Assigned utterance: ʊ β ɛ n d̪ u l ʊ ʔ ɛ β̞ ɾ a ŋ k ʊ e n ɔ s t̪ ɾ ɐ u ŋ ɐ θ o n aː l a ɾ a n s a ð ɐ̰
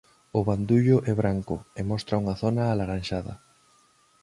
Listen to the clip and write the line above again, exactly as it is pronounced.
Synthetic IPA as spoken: ʊ β a n d̪ u ʎ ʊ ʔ ɛ β̞ ɾ a ŋ k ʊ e m ɔ s t̪ ɾ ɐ u ŋ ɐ θ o n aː l a ɾ a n ʃ a ð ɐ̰